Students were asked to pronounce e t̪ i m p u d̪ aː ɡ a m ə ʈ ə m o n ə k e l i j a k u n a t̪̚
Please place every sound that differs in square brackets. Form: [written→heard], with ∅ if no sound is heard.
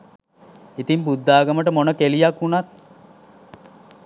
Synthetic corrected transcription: [e→i] t̪ i m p u [d̪→d̪ː] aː ɡ [a→ə] m ə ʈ ə m o n ə k e l i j a k u n a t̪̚